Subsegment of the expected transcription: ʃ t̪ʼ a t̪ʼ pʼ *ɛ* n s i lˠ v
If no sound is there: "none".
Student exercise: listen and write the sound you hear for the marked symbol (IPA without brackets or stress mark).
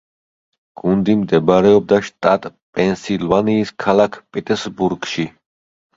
ɛ